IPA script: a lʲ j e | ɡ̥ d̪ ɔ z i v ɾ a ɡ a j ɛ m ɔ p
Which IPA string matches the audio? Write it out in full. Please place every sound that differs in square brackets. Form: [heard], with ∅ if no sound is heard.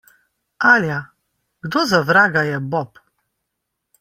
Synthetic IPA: a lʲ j [a] | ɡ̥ d̪ ɔ z [a] v ɾ a ɡ a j ɛ [b] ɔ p